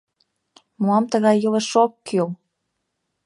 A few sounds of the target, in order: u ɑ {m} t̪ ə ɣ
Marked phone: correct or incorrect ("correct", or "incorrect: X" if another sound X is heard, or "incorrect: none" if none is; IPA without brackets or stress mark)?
correct